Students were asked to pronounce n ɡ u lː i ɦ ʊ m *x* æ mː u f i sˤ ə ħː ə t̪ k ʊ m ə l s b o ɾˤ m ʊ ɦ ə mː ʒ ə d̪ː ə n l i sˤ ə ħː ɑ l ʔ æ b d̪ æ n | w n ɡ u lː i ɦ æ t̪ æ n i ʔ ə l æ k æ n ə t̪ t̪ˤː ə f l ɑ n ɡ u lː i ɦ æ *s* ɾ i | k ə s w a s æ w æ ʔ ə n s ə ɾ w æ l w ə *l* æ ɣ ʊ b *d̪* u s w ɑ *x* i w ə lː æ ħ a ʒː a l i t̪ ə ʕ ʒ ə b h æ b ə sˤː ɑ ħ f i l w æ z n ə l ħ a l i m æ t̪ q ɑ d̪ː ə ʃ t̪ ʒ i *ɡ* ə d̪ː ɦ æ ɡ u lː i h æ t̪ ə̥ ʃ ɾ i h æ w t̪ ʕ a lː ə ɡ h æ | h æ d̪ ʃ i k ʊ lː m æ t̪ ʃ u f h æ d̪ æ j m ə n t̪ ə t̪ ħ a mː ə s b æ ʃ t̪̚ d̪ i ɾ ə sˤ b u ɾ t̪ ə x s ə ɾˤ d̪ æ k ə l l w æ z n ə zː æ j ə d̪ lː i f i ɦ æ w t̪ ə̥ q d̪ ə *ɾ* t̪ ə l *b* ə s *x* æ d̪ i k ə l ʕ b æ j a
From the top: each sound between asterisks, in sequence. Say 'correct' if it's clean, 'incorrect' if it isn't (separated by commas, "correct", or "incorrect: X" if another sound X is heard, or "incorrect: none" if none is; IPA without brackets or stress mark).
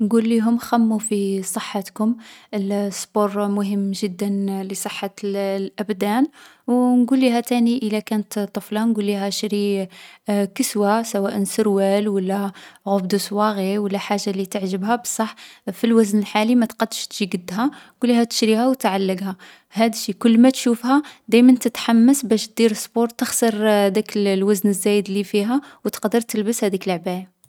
correct, incorrect: ʃ, incorrect: lː, correct, incorrect: ɣ, correct, correct, correct, incorrect: h